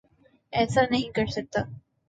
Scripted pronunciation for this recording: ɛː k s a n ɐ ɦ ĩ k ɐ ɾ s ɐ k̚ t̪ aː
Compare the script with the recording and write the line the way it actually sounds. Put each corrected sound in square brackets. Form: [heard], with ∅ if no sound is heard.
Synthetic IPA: ɛː [∅] s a n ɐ ɦ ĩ k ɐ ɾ s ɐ k̚ t̪ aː